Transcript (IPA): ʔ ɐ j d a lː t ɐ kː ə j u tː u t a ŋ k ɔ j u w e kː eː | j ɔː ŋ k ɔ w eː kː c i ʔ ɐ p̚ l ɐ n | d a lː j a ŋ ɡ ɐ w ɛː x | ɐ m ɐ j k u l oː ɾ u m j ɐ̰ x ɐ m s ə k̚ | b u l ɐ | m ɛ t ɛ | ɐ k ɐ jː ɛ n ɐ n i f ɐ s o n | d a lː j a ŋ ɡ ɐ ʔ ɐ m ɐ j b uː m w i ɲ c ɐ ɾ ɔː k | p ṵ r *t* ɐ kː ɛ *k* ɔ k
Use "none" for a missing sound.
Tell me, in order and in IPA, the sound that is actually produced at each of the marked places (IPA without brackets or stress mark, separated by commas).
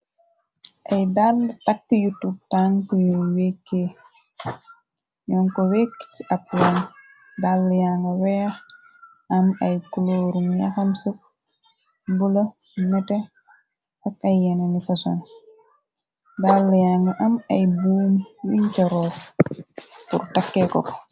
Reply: t, k